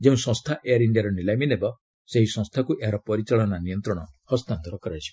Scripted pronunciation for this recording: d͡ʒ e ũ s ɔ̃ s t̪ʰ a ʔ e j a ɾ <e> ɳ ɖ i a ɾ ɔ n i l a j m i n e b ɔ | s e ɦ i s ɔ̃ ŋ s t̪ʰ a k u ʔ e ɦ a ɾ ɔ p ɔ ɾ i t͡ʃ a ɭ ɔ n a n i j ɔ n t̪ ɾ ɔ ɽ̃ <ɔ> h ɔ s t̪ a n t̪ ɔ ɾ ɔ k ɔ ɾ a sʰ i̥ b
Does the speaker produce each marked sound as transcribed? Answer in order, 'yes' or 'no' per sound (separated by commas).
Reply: no, yes